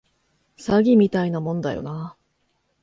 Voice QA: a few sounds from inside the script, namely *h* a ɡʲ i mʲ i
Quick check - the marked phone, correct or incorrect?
incorrect